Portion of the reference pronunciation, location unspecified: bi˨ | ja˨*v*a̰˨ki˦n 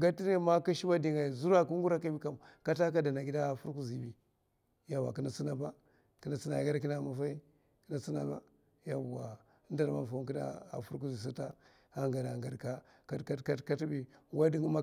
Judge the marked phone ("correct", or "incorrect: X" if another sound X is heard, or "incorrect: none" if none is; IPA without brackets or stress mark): incorrect: w